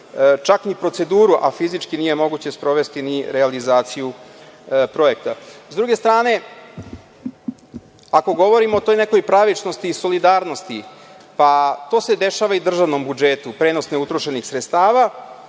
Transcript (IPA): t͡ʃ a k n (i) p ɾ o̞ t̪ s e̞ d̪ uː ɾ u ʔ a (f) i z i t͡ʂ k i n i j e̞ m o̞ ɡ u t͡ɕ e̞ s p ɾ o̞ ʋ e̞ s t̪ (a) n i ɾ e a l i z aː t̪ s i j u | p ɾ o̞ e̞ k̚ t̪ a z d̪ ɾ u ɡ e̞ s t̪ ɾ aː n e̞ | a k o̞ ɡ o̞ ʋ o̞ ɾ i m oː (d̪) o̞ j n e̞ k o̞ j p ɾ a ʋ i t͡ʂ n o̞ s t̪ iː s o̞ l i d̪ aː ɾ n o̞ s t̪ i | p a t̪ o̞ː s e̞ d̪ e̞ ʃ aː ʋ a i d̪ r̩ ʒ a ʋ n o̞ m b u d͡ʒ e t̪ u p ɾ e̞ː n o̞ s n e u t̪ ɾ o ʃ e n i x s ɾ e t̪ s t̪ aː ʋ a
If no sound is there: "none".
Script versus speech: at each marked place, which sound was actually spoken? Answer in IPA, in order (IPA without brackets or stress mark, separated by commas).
i, f, i, t̪